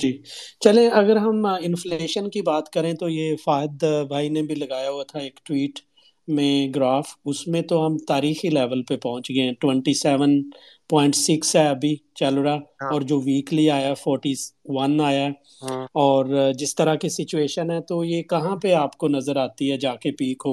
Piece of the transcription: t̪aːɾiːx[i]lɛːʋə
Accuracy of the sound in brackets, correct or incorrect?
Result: correct